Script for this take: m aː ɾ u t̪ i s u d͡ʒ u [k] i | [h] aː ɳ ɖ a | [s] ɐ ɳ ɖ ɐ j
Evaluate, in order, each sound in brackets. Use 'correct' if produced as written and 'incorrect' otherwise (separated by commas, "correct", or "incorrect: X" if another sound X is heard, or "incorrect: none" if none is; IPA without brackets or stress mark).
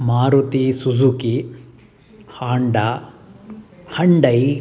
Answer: correct, correct, incorrect: h